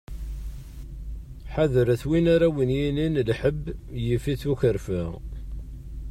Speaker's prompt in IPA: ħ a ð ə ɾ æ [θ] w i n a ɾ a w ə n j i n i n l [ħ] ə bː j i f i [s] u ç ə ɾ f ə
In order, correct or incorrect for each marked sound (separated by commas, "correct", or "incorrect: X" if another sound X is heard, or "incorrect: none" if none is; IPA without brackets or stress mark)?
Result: correct, correct, incorrect: θ